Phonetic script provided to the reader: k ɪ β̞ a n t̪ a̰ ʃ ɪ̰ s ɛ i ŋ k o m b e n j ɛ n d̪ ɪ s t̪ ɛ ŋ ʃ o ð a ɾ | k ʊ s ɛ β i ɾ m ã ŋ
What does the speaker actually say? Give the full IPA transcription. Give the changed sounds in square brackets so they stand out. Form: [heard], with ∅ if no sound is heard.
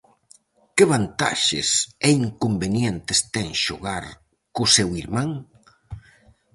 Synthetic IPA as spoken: k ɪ β̞ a n t̪ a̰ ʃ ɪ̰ s ɛ i ŋ k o m b e n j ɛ n [t̪] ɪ s t̪ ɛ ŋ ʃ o [ɣ] a ɾ | k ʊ s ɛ [w] i ɾ m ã ŋ